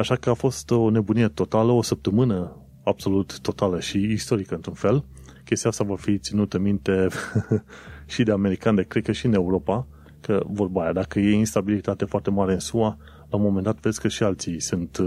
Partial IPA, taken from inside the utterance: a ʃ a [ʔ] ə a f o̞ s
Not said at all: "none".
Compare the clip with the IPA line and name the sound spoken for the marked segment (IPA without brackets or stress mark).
k